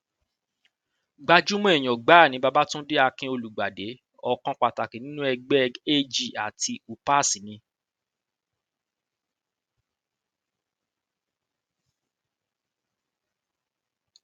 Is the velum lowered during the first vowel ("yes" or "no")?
no